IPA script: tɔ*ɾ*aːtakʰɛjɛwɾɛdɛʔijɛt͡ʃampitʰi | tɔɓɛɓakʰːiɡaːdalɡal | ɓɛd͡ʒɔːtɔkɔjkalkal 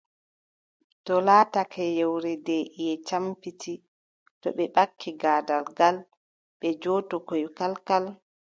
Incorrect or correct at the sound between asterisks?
incorrect: l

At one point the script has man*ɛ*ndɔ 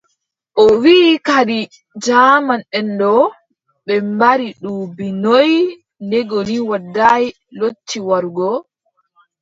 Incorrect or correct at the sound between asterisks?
correct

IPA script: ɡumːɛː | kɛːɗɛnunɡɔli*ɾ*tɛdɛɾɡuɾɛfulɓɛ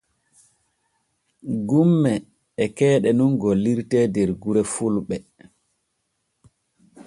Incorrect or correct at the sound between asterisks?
correct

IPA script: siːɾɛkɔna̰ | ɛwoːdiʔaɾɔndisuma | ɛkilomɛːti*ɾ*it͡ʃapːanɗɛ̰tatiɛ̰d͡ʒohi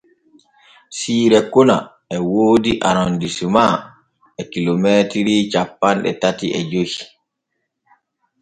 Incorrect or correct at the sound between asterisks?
correct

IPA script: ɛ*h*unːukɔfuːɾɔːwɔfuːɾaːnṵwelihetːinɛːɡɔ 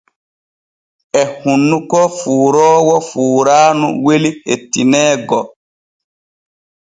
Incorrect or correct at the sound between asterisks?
correct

